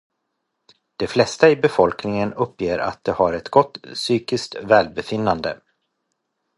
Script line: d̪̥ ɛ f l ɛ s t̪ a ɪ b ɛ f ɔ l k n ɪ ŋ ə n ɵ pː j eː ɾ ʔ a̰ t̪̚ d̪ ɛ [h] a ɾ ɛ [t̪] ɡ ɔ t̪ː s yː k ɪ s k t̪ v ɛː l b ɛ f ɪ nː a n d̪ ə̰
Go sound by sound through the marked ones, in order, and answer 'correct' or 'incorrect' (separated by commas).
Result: correct, correct